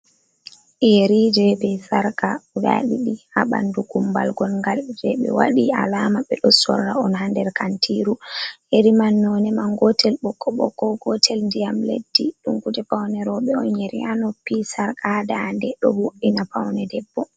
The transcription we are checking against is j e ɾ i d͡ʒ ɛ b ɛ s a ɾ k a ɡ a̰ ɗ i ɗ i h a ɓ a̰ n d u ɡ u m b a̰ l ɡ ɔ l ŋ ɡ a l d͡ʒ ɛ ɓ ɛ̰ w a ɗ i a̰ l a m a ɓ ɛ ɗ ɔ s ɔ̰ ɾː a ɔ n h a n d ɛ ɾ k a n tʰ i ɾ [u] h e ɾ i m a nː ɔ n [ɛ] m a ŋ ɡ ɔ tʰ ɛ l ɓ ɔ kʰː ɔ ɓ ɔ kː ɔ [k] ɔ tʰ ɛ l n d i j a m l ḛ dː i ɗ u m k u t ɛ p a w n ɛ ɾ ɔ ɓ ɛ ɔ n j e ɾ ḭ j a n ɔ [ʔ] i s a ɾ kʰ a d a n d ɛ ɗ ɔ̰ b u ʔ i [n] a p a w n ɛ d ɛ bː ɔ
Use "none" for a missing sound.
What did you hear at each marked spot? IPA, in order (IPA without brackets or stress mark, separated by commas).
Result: u, ɛ, ɡ, p, n